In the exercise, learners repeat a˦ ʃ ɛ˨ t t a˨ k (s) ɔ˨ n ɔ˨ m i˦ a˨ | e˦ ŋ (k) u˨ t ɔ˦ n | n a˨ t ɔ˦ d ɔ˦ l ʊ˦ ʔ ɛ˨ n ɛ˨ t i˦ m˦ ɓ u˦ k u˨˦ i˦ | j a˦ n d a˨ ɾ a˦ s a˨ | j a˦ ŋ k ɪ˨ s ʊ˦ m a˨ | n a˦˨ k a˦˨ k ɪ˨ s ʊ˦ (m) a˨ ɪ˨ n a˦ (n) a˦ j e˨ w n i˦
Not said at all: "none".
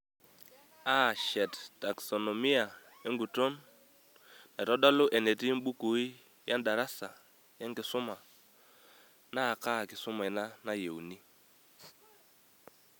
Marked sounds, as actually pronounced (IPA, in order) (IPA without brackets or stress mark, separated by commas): s, ɡ, m, n